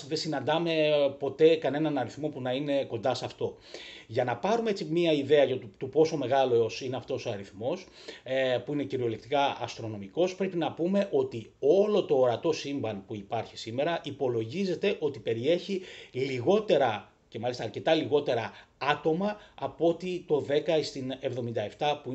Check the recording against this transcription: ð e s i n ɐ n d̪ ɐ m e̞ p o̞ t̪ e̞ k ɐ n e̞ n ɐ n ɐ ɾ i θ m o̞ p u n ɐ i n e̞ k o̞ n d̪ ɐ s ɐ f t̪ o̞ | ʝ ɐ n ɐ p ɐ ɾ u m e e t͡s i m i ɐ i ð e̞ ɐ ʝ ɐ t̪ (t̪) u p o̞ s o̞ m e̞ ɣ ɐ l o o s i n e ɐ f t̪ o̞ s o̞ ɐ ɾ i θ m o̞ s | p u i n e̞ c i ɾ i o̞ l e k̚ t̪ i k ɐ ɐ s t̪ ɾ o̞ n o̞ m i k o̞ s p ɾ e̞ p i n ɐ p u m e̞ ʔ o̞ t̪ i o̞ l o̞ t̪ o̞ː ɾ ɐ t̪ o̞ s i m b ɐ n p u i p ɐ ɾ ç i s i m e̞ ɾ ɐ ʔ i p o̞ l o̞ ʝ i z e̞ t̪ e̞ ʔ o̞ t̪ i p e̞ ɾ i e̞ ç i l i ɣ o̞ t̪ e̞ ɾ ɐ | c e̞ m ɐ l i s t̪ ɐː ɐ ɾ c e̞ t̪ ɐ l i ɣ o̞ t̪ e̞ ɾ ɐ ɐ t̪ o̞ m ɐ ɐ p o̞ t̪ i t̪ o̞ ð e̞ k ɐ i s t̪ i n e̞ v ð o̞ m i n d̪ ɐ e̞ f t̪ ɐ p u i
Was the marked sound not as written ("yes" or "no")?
no